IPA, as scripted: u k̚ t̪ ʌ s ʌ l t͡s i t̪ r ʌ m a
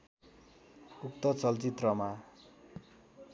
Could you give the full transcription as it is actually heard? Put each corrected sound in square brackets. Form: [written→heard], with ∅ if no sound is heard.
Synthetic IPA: u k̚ t̪ ʌ [s→t͡s] ʌ l t͡s i t̪ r ʌ m a

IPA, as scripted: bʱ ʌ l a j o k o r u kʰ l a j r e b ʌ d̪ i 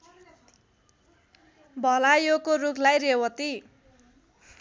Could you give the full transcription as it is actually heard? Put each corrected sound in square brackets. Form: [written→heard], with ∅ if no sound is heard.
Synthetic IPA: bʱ ʌ l a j o k o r u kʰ l a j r e [b→w] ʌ [d̪→t̪] i

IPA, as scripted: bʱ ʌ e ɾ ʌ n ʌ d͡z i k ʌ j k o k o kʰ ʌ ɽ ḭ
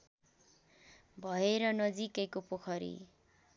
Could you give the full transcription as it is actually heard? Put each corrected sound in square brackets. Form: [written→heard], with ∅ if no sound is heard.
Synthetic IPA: bʱ ʌ e ɾ ʌ n ʌ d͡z i k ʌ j k o [k→p] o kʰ ʌ [ɽ→ɾ] ḭ

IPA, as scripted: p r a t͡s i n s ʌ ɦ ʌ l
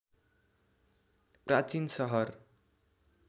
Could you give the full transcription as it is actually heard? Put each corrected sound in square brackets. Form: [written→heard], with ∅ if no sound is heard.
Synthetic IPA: p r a t͡s i n s ʌ ɦ ʌ [l→r]

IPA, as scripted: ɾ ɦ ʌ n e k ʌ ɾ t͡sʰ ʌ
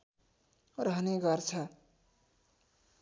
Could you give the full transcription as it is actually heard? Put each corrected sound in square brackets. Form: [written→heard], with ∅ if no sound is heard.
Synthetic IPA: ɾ ɦ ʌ n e [k→ɡ] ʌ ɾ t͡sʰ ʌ

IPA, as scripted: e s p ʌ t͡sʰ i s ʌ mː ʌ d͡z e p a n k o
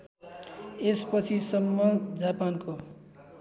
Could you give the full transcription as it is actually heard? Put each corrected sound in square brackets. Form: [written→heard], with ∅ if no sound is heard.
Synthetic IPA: e s p ʌ t͡sʰ i s ʌ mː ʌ d͡z [e→a] p a n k o

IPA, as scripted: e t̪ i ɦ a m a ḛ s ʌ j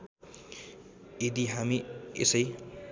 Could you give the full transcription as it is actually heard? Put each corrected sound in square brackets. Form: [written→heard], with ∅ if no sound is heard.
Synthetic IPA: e [t̪→d̪] i ɦ a m [a→i] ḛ s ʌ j

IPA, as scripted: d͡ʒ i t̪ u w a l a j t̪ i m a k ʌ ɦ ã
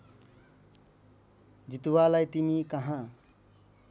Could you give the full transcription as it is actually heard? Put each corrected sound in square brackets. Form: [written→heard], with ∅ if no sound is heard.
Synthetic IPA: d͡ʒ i t̪ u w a l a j t̪ i m [a→i] k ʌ ɦ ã

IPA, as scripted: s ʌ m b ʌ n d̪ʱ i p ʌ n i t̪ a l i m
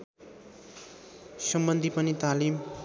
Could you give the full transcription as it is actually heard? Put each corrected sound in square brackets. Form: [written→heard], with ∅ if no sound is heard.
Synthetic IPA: s ʌ m b ʌ n d̪ʱ i p ʌ n i t̪ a l i m

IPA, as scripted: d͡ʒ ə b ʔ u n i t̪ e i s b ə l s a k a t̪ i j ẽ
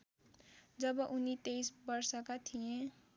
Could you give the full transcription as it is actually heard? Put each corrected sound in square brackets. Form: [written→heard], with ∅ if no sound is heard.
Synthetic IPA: d͡ʒ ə b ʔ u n i t̪ e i s b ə [l→ɾ] s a k a [t̪→t̪ʰ] i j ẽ

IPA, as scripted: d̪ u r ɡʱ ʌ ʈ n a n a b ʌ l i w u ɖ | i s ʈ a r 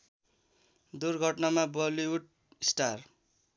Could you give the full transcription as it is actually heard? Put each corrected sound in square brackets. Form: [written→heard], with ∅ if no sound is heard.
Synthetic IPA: d̪ u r ɡʱ ʌ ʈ n a [n→m] a b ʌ l i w u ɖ | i s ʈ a r

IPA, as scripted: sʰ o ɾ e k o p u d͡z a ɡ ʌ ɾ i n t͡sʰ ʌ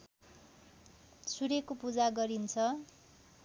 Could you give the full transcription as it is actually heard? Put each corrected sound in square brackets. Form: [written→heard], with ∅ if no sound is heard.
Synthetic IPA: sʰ [o→u] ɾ e k o p u d͡z a ɡ ʌ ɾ i n t͡sʰ ʌ

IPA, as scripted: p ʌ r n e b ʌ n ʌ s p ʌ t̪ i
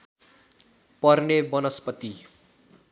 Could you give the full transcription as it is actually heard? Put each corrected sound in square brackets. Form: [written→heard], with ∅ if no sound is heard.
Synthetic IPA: p ʌ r n e b ʌ n ʌ s p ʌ t̪ i

